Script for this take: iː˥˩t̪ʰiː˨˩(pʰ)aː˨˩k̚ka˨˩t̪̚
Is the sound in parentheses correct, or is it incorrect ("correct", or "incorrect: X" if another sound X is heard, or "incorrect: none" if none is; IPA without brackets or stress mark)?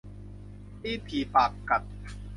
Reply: incorrect: p